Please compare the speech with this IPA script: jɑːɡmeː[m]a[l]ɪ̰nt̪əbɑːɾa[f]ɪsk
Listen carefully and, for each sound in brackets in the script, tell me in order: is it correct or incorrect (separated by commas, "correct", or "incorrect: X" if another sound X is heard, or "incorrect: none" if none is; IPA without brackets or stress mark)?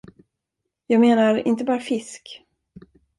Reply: incorrect: n, incorrect: ɾ, correct